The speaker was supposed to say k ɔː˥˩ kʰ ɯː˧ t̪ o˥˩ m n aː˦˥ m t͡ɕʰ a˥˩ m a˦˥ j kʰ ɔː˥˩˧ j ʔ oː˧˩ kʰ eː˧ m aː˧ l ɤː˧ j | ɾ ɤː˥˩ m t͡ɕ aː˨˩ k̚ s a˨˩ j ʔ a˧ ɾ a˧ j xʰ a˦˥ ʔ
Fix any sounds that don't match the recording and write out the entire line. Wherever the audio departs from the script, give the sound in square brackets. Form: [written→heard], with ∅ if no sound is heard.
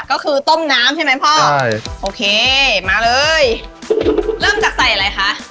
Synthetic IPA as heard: k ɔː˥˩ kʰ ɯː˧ t̪ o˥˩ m n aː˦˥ m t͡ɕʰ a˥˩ m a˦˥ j [kʰ→pʰ] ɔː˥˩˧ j ʔ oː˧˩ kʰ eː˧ m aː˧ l ɤː˧ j | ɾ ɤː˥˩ m t͡ɕ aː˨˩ k̚ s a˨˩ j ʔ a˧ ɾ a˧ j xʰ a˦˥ ʔ